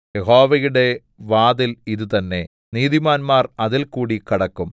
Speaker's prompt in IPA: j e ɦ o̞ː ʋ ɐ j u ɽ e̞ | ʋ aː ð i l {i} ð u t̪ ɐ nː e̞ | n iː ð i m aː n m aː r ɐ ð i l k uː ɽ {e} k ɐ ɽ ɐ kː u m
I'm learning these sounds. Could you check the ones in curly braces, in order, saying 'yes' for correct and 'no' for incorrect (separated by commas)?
yes, no